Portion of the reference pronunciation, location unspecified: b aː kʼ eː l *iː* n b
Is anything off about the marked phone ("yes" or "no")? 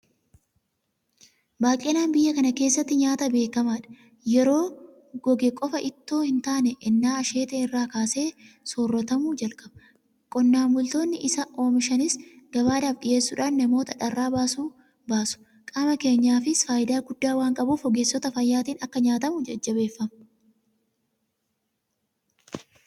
yes